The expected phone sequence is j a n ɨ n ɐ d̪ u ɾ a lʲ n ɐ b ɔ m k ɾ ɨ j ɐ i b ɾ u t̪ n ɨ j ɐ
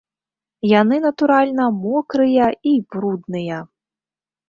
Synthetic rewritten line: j a n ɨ n ɐ t̪ u ɾ a lʲ n ɐ m ɔ k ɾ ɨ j ɐ i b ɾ u d̪ n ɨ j ɐ